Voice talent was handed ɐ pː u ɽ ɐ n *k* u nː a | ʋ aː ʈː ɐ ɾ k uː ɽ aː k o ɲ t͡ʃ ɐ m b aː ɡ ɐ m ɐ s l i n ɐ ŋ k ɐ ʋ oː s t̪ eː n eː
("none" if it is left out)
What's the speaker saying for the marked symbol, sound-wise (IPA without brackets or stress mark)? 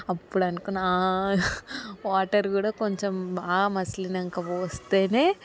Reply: k